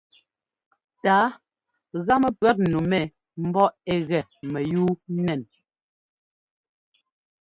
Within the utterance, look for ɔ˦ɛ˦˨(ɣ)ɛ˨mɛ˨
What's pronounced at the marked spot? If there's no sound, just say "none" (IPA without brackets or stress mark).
ɣ